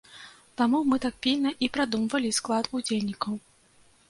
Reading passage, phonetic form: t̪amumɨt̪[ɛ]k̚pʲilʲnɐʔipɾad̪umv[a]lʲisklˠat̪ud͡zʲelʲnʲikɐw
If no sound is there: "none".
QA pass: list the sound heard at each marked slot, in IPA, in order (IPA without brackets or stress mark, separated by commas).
a, ɐ